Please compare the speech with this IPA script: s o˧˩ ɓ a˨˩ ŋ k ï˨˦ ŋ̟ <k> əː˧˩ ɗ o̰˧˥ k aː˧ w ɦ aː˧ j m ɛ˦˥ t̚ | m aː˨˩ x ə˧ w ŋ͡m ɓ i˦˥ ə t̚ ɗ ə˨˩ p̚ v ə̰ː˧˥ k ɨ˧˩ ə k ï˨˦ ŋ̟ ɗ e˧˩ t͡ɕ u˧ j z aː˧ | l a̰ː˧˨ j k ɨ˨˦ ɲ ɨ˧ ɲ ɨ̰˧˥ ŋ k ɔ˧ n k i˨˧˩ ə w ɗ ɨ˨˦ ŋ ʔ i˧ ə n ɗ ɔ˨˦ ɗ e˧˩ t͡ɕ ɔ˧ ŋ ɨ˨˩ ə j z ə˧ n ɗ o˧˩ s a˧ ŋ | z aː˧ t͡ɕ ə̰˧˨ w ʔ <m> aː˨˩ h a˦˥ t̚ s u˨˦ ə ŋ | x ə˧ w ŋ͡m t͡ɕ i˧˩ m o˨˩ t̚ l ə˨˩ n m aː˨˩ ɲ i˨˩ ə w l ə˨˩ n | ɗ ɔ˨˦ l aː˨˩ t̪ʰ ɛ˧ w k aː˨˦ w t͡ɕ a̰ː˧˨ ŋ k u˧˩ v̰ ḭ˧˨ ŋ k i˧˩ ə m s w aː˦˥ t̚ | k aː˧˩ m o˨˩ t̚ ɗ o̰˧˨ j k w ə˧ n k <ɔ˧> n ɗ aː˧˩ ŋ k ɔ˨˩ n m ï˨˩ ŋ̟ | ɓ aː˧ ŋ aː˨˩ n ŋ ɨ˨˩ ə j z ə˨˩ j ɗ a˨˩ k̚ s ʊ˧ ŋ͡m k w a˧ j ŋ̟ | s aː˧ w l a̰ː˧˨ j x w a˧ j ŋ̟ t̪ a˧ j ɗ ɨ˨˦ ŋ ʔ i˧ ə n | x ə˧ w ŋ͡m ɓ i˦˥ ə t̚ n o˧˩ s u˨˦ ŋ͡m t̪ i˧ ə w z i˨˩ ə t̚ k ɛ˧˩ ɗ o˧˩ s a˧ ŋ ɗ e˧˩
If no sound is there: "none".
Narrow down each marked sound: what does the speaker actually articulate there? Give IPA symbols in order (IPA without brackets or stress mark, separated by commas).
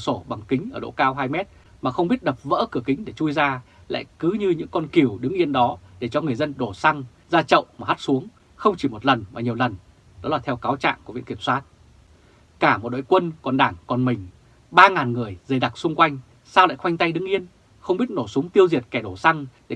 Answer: ʔ, m, ɔ˨˩